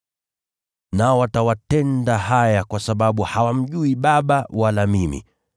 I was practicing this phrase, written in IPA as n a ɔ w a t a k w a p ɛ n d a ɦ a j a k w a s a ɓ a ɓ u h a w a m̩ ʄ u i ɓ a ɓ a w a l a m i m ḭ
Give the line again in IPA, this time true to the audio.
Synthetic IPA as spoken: n a ɔ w a t a w a t ɛ n d a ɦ a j a k w a s a ɓ a ɓ u h a w a m̩ ʄ u i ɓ a ɓ a w a l a m i m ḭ